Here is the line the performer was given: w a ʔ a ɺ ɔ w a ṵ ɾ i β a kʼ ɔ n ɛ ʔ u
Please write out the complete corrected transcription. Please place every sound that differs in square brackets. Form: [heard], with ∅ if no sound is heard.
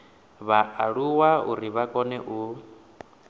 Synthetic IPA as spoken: [β] a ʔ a ɺ [u] w a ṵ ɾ i β a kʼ ɔ n ɛ ʔ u